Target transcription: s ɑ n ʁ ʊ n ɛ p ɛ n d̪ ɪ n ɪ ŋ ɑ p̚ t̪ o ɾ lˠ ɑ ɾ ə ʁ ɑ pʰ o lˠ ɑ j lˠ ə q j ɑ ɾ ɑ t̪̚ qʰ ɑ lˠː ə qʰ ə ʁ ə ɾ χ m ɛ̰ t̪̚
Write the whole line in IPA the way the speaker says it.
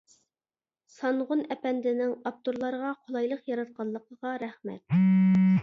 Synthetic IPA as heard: s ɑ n ʁ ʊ n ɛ p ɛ n d̪ ɪ n ɪ ŋ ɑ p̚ t̪ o ɾ lˠ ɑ ɾ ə ʁ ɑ qʰ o lˠ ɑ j lˠ ə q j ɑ ɾ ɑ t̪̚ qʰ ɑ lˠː ə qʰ ə ʁ ɑ ɾ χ m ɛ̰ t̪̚

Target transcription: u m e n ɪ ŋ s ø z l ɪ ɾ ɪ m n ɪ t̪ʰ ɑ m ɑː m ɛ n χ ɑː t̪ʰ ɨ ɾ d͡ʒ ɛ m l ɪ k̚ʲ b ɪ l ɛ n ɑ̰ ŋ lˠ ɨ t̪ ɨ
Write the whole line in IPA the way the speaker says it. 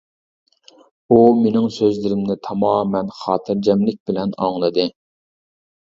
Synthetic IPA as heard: u m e n ɪ ŋ s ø z l ɪ ɾ ɪ m n ɪ t̪ʰ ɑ m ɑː m ɛ n χ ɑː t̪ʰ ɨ ɾ d͡ʒ ɛ m l ɪ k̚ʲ b ɪ l ɛ n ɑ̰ ŋ lˠ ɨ d̪ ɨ

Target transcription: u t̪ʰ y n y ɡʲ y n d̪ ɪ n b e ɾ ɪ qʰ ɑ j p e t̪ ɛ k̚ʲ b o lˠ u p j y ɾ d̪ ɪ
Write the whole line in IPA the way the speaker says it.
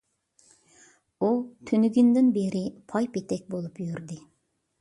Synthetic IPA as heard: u t̪ʰ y n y ɡʲ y n d̪ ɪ n b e ɾ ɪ pʰ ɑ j p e t̪ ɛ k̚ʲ b o lˠ u p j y ɾ d̪ ɪ

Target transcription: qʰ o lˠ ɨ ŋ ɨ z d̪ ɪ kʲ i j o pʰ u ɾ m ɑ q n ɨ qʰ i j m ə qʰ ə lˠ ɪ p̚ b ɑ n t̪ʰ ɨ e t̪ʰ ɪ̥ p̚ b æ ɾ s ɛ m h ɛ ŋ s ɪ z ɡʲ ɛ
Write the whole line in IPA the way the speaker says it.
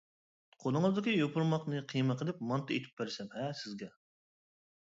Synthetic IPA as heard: qʰ o lˠ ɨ ŋ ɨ z d̪ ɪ kʲ i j o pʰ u ɾ m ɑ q n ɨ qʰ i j m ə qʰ ə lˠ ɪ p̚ m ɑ n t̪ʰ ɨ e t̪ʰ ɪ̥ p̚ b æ ɾ s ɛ m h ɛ s ɪ z ɡʲ ɛ

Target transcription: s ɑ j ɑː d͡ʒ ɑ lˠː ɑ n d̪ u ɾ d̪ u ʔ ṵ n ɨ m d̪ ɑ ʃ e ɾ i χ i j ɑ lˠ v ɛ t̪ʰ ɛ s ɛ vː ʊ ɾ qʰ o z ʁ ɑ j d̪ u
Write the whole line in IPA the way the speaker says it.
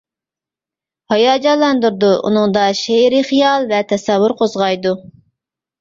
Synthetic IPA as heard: h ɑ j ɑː d͡ʒ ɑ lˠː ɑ n d̪ u ɾ d̪ u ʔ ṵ n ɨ ŋ d̪ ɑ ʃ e ɾ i χ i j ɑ lˠ v ɛ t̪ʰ ɛ s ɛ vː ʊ ɾ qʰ o z ʁ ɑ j d̪ u

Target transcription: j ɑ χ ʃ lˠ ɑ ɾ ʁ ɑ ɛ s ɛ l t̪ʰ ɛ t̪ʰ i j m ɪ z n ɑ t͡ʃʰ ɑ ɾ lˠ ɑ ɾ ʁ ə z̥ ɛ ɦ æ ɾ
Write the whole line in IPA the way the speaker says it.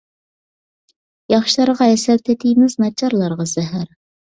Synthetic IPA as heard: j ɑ χ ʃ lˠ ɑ ɾ ʁ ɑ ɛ s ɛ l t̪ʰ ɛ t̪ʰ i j m ɪ z n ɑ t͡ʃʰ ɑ ɾ lˠ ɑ ɾ ʁ ɑ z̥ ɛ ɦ æ ɾ

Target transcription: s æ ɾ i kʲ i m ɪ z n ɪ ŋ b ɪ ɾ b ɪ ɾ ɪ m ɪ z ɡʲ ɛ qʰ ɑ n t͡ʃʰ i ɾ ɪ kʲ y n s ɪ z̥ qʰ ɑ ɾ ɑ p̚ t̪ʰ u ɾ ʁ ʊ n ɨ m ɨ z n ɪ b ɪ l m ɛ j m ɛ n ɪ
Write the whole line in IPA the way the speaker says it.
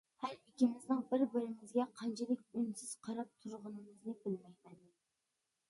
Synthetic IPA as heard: h æ ɾ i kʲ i m ɪ z n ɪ ŋ b ɪ ɾ b ɪ ɾ ɪ m ɪ z ɡʲ ɛ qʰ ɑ n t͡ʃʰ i l ɪ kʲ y n s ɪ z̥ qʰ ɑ ɾ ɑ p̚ t̪ʰ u ɾ ʁ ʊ n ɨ m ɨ z n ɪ b ɪ l m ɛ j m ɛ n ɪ

